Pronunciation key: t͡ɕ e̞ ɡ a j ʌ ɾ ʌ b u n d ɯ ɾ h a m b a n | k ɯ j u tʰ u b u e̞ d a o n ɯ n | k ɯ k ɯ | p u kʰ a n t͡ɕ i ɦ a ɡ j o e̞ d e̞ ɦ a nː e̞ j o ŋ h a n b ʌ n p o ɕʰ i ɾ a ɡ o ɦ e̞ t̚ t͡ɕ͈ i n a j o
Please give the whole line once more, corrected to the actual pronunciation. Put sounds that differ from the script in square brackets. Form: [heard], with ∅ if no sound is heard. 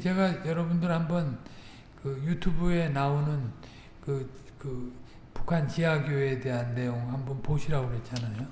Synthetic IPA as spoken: t͡ɕ e̞ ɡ a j ʌ ɾ ʌ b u n d ɯ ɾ h a m b [ʌ] n | k ɯ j u tʰ u b u e̞ [n] a o n ɯ n | k ɯ k ɯ | p u kʰ a n t͡ɕ i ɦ a ɡ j o e̞ d e̞ ɦ a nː e̞ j o ŋ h a [m] b ʌ n p o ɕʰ i ɾ a ɡ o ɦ e̞ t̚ t͡ɕ͈ [a] n a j o